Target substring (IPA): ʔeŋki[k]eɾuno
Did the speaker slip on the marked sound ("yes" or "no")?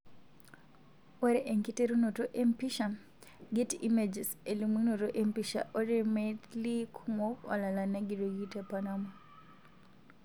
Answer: yes